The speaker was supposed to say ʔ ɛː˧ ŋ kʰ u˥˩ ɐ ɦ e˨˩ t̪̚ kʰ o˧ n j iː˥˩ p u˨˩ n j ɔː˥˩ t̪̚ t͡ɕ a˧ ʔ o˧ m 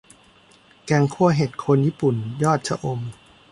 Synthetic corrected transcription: k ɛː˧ ŋ kʰ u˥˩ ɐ ɦ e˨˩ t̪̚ kʰ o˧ n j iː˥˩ p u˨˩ n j ɔː˥˩ t̪̚ t͡ɕʰ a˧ ʔ o˧ m